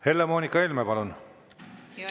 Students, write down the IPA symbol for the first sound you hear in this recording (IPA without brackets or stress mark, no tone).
h